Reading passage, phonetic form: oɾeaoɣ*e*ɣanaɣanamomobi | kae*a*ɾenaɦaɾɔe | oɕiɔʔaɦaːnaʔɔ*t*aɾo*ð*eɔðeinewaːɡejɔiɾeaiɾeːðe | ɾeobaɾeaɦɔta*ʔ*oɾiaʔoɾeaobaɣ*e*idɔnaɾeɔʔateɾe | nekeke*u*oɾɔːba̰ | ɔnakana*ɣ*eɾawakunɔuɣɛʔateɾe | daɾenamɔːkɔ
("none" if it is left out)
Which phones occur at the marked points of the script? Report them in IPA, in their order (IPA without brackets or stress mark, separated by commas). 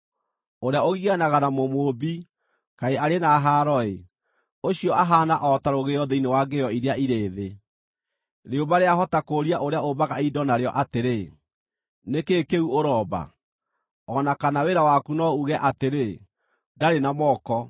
i, a, t, ɣ, k, a, u, w